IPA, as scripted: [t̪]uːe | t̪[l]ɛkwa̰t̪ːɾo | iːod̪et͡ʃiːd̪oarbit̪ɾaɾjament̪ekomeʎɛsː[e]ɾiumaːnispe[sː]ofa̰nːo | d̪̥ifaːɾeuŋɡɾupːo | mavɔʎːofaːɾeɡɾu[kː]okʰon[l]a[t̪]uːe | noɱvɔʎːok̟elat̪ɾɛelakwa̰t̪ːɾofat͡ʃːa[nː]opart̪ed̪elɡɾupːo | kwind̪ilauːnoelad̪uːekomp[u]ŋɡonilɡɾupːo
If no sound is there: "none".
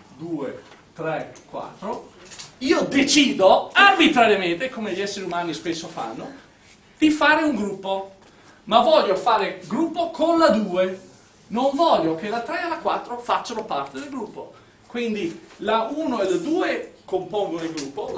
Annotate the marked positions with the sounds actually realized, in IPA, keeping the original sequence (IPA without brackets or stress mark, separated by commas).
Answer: d̪, ɾ, e, sː, pː, l, d̪, n, o